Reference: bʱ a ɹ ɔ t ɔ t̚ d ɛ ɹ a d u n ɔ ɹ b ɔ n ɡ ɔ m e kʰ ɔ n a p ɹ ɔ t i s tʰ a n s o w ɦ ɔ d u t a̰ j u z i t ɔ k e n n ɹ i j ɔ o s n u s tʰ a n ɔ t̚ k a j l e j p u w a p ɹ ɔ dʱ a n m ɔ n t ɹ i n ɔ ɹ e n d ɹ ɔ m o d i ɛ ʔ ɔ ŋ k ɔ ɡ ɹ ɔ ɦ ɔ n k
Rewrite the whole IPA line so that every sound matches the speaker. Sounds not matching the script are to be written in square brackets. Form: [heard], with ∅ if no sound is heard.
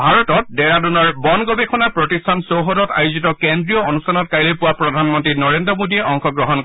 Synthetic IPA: bʱ a ɹ ɔ t ɔ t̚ d ɛ ɹ a d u n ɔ ɹ b ɔ n ɡ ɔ [b] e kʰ ɔ n a p ɹ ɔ t i s tʰ a n s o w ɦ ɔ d [ɔ] t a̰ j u z i t ɔ k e n [d] ɹ i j ɔ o [∅] n u s tʰ a n ɔ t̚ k a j l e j p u w a p ɹ ɔ dʱ a n m ɔ n t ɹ i n ɔ ɹ e n d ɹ ɔ m o d i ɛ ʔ ɔ ŋ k ɔ ɡ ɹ ɔ ɦ ɔ n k